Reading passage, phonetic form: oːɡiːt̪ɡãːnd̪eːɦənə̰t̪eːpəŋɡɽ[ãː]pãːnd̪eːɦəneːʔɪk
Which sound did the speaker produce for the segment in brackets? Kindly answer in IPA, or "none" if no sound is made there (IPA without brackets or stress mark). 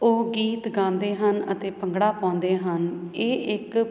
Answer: aː